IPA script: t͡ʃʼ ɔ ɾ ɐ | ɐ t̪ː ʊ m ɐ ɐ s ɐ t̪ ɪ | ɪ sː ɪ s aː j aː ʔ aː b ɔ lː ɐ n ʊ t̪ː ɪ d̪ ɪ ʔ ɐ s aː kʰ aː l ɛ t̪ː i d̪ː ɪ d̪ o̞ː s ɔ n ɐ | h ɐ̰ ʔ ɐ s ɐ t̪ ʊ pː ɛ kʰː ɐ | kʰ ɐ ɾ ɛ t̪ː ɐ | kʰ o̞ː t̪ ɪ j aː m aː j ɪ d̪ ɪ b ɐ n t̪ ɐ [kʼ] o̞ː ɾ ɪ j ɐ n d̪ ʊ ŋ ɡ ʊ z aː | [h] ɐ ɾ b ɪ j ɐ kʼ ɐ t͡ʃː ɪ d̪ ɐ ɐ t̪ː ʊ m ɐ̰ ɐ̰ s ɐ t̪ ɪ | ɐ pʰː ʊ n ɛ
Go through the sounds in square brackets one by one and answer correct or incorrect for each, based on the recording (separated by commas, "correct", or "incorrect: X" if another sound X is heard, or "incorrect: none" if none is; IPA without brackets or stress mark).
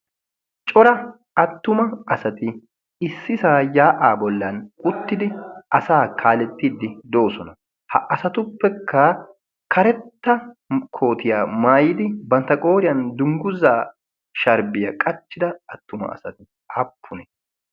correct, incorrect: ʃ